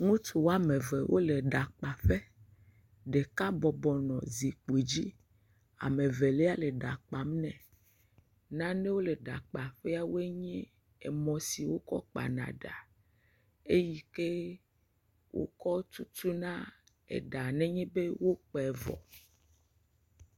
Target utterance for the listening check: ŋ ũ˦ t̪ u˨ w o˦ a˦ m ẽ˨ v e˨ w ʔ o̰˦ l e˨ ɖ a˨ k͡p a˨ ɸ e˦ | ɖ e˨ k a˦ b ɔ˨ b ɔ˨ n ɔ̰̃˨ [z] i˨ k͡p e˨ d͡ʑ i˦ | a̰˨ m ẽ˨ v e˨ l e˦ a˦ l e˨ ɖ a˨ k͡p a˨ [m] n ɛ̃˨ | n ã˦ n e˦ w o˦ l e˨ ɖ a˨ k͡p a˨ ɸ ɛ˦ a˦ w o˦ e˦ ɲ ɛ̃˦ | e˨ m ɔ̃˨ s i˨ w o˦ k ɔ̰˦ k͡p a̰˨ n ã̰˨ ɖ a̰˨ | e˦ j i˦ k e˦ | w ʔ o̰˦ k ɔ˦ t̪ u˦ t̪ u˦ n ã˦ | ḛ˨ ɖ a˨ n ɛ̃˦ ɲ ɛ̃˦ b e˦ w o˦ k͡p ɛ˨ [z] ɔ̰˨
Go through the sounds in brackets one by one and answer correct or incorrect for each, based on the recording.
correct, correct, incorrect

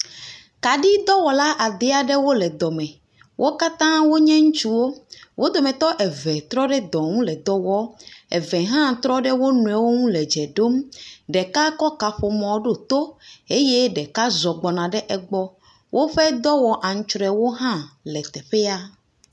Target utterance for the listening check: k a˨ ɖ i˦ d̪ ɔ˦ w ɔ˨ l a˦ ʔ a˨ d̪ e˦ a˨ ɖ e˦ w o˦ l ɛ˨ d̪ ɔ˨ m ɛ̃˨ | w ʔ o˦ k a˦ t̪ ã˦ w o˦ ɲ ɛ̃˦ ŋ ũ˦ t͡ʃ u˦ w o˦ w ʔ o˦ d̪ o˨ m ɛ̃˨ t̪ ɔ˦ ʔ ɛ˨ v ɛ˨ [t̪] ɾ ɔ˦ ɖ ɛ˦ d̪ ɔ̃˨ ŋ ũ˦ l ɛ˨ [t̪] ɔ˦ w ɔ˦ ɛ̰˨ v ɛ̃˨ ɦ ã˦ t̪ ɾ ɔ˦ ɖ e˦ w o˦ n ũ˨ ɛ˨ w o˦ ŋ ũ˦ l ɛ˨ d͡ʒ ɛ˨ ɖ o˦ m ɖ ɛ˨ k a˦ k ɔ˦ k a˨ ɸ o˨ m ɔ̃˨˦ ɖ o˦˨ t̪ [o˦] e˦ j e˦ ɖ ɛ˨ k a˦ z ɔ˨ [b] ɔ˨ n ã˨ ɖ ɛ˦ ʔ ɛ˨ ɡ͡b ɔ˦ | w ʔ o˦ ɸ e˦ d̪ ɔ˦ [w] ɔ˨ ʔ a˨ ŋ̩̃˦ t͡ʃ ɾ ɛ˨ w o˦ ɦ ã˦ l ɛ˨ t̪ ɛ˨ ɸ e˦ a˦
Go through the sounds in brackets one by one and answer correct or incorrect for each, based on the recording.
correct, incorrect, correct, incorrect, correct

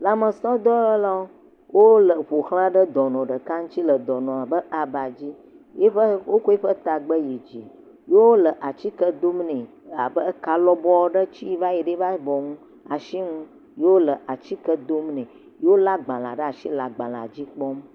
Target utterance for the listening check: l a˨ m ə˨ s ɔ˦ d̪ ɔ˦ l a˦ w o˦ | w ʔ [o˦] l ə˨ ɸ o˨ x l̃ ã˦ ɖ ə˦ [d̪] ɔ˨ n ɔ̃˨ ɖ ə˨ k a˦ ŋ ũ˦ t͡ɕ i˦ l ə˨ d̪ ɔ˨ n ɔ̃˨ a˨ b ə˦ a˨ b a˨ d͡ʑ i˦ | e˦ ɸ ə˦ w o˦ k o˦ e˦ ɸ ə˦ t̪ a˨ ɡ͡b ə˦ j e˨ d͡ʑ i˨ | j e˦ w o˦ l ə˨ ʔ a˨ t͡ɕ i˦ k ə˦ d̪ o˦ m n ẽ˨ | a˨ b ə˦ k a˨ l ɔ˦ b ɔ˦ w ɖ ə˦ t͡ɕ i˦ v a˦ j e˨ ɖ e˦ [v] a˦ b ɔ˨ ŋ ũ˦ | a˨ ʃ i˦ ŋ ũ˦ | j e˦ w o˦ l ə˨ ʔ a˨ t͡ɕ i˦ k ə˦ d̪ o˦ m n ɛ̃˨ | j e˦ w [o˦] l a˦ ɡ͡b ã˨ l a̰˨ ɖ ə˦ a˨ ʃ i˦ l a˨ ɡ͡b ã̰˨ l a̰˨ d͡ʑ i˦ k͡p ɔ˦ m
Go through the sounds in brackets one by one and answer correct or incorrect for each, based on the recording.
correct, correct, correct, correct

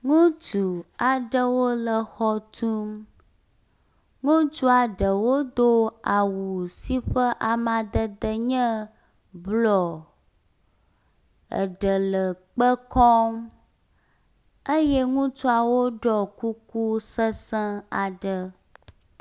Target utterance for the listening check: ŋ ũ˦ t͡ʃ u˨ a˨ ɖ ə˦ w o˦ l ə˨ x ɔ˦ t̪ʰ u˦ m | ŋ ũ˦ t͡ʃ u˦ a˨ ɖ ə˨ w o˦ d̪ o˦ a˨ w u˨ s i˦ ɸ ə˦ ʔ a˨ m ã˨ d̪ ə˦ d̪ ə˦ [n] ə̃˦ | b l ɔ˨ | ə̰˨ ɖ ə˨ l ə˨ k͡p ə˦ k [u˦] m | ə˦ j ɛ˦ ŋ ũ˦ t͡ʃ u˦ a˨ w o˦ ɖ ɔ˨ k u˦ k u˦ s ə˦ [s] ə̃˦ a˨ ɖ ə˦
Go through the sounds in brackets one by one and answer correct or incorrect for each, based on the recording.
incorrect, incorrect, correct

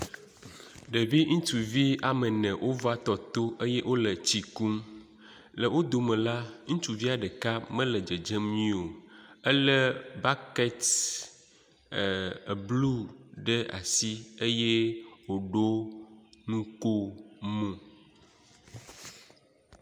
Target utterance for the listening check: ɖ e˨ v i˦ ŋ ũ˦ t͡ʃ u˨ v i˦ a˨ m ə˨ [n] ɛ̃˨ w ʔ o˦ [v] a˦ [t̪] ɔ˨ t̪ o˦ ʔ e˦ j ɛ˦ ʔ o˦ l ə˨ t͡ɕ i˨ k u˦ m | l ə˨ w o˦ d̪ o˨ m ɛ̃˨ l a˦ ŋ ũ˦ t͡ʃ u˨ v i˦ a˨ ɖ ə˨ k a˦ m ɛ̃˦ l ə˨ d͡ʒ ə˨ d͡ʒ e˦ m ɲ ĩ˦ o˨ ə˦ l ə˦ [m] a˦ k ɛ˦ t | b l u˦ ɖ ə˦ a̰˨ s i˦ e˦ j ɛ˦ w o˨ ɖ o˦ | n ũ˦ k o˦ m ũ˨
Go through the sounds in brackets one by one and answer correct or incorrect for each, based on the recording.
correct, correct, correct, incorrect

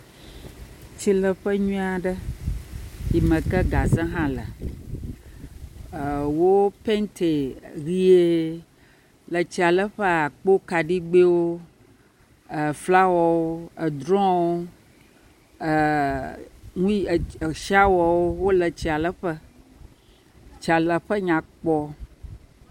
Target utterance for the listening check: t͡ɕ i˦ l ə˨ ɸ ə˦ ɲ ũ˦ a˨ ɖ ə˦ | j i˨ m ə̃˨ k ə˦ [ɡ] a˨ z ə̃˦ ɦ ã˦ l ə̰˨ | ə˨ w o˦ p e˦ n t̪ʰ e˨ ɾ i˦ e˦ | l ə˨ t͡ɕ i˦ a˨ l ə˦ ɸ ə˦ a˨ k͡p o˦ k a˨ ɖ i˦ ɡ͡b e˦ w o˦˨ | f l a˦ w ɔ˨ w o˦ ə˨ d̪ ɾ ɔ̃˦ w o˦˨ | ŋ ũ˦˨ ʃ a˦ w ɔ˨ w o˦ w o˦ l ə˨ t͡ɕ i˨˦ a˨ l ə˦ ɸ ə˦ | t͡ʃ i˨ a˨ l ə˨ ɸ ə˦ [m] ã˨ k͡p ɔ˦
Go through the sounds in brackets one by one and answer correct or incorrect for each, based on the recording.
correct, incorrect

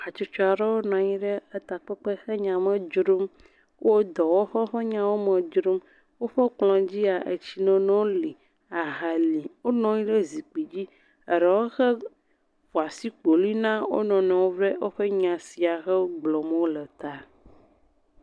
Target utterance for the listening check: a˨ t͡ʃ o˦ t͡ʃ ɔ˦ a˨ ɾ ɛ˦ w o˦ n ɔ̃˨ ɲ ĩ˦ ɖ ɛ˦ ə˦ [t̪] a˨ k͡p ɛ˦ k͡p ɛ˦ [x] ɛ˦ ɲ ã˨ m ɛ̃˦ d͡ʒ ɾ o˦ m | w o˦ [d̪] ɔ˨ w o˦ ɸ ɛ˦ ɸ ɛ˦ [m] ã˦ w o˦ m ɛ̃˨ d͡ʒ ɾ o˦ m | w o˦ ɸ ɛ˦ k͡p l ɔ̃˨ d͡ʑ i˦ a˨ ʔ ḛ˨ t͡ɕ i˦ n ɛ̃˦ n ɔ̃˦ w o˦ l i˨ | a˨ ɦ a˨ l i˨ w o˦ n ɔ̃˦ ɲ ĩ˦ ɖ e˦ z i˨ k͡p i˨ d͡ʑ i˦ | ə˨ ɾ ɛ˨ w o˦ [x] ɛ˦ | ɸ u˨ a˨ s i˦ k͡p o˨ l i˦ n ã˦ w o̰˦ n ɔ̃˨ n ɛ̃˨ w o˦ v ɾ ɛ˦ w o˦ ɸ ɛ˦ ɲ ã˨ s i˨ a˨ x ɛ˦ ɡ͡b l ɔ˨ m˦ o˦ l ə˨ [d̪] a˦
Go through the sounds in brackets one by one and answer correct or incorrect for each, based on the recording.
correct, correct, correct, incorrect, correct, incorrect

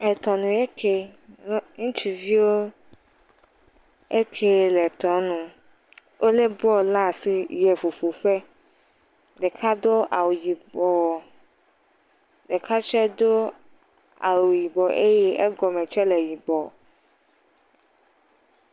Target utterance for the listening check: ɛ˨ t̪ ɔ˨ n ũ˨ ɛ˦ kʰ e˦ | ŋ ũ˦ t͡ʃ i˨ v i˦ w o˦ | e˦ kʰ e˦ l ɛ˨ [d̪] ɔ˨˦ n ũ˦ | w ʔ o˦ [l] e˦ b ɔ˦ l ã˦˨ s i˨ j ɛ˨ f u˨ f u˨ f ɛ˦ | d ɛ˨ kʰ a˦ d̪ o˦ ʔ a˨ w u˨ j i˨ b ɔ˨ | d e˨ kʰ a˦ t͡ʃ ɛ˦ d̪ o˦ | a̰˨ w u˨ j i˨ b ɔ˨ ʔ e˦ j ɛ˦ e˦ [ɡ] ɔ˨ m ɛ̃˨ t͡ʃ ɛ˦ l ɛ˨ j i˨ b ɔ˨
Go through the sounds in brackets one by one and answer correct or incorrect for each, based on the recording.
incorrect, correct, correct

